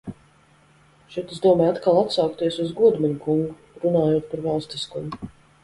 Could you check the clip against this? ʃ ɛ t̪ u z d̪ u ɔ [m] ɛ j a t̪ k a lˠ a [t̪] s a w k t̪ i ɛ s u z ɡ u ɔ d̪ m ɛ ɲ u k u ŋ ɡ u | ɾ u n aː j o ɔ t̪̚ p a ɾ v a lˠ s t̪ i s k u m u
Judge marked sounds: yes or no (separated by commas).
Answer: yes, yes